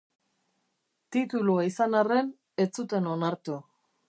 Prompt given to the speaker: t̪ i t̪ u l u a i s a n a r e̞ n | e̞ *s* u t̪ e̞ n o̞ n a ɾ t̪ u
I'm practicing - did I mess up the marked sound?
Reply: yes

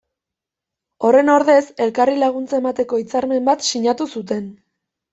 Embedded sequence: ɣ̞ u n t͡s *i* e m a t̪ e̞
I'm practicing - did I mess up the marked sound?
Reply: yes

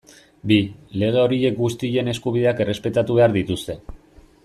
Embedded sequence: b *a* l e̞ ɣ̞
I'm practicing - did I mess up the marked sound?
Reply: yes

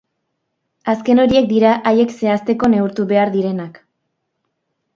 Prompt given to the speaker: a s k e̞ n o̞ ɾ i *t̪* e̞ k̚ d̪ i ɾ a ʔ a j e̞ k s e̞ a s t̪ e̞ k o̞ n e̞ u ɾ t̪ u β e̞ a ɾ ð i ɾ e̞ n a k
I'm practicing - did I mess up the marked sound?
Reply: yes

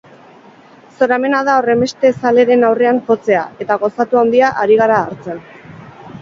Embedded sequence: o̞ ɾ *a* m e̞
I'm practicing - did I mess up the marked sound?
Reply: no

